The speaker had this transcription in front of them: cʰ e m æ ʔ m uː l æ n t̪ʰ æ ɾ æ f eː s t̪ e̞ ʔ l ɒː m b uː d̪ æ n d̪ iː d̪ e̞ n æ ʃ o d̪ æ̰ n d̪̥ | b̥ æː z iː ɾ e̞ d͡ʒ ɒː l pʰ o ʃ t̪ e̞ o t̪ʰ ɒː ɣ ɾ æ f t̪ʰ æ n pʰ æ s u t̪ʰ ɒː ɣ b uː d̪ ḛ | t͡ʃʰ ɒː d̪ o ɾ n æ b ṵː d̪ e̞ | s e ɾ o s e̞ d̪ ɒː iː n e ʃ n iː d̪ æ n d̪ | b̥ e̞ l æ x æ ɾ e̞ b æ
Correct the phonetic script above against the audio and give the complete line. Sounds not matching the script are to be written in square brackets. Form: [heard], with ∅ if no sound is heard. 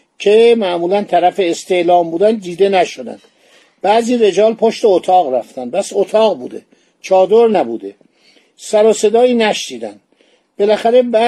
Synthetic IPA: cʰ e m æ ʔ m uː l æ n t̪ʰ æ ɾ æ f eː s t̪ e̞ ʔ l ɒː m b uː d̪ æ n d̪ iː d̪ e̞ n æ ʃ o d̪ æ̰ n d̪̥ | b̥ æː z iː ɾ e̞ d͡ʒ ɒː l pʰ o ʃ t̪ e̞ o t̪ʰ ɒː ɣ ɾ æ f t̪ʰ æ n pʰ æ s [o] t̪ʰ ɒː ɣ b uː d̪ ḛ | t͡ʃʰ ɒː d̪ o ɾ n æ b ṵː d̪ e̞ | s [æ] ɾ o s e̞ d̪ ɒː iː n [æ] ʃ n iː d̪ æ n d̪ | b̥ e̞ l æ x æ ɾ e̞ b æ